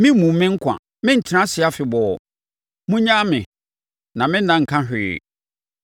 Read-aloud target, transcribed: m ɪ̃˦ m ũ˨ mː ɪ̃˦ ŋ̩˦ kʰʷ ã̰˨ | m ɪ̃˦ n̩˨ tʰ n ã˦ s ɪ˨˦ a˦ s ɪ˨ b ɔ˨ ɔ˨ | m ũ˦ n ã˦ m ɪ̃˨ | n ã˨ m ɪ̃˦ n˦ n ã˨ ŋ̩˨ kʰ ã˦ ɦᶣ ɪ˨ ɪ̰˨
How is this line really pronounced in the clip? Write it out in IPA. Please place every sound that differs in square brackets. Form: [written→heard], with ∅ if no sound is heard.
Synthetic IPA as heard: m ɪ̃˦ m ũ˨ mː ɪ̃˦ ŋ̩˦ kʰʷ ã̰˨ | m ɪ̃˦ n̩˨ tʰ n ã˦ s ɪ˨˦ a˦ [s→f] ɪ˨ b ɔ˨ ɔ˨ | m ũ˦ [n→ɲ] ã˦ m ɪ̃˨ | n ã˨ m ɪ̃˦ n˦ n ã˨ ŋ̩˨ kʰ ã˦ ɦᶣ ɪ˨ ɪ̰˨